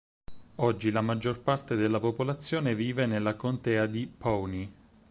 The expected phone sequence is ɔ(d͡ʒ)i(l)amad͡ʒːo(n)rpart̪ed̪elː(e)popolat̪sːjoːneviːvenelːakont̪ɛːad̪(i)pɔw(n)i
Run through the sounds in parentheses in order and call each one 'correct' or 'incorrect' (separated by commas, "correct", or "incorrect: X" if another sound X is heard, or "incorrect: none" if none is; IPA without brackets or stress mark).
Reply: incorrect: d͡ʒː, correct, incorrect: none, incorrect: a, correct, correct